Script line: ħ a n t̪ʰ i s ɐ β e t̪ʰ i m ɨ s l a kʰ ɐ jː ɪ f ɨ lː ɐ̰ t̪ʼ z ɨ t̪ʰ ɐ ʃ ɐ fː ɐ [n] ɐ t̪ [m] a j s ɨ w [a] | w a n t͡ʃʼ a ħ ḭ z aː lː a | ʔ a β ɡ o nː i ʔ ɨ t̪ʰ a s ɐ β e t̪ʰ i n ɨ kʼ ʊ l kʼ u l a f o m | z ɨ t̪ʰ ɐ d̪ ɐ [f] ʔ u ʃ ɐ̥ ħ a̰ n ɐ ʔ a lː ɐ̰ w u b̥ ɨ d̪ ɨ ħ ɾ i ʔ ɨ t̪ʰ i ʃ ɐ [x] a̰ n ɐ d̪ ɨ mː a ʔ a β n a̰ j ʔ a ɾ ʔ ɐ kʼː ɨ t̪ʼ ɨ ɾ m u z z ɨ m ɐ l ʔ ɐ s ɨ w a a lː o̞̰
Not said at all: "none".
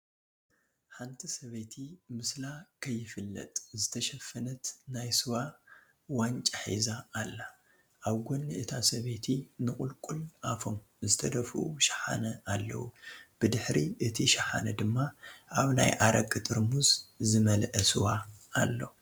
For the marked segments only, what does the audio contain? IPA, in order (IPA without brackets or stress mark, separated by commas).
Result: n, n, a, f, ħ